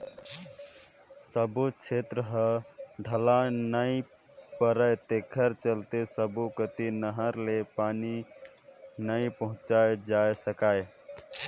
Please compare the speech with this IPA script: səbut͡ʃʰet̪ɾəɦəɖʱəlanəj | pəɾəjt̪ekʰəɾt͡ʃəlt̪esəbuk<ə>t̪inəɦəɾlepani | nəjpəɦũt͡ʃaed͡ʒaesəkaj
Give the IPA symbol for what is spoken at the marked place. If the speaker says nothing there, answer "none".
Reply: ə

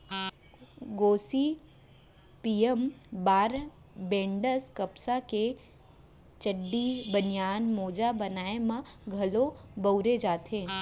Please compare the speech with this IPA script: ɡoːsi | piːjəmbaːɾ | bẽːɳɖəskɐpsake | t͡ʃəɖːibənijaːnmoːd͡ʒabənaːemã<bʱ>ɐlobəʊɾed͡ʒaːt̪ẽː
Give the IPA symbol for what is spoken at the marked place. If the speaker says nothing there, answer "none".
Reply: ɡʱ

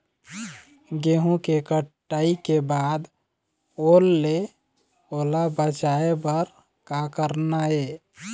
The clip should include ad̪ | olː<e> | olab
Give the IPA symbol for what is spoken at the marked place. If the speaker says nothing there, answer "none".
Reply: e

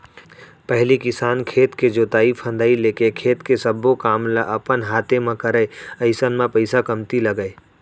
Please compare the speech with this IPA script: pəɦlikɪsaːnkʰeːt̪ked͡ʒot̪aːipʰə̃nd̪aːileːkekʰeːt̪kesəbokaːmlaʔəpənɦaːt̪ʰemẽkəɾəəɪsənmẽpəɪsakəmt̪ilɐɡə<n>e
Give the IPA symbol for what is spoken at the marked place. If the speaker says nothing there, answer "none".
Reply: none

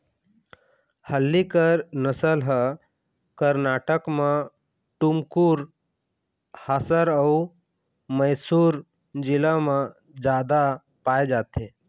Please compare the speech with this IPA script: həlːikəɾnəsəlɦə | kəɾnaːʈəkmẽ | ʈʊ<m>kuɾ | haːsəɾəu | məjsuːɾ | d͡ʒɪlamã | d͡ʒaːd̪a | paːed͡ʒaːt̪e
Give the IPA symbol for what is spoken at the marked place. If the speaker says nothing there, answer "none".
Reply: m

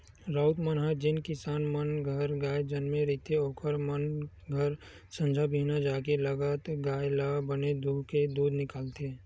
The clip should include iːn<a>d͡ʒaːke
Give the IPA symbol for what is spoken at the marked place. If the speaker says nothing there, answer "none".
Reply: a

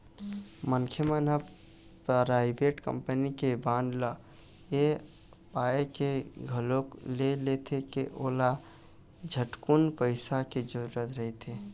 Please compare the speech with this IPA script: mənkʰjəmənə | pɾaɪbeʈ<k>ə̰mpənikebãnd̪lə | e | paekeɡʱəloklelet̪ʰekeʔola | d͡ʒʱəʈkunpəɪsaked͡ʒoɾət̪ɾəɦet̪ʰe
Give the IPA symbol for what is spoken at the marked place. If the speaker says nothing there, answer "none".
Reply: k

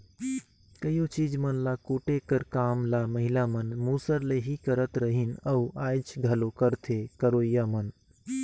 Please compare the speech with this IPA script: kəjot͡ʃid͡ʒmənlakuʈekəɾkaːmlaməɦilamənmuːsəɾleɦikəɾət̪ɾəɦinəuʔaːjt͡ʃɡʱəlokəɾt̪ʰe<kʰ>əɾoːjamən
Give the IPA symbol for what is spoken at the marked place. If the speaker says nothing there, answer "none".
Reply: k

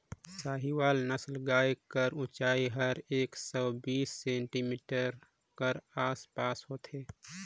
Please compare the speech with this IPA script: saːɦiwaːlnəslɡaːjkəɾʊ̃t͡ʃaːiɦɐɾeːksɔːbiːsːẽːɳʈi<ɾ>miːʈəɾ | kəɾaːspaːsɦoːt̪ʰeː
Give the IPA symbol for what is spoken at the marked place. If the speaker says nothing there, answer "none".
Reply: none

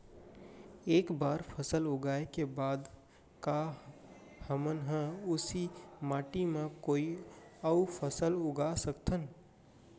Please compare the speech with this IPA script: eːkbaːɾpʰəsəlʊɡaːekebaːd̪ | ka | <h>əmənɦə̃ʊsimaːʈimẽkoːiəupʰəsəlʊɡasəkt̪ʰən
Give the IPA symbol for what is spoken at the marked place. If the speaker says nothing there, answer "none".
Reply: h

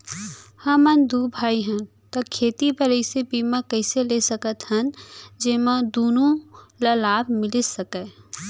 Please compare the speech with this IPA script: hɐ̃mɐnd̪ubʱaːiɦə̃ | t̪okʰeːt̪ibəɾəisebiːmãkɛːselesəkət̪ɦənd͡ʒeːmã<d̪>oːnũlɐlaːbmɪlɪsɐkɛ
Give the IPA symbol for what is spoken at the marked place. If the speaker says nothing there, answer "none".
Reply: d̪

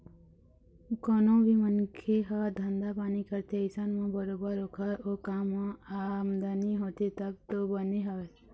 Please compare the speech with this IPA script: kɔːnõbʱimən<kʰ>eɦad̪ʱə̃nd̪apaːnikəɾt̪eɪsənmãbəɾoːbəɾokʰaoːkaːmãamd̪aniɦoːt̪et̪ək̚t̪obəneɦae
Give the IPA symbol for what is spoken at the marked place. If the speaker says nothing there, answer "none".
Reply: kʰ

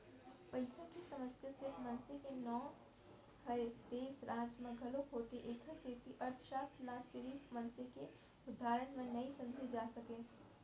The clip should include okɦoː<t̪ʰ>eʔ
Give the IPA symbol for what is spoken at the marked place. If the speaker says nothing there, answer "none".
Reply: t̪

